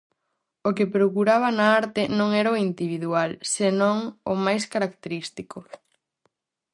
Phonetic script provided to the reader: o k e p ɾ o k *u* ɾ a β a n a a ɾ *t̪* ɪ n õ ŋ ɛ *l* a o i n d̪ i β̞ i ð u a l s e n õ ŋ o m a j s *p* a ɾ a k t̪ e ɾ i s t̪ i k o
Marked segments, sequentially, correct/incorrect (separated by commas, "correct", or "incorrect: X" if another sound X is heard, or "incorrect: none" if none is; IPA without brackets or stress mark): correct, correct, incorrect: ɾ, incorrect: k